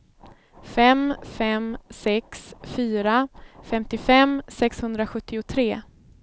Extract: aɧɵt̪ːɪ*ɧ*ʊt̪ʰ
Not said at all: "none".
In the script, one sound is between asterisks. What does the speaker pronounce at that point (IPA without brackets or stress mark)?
none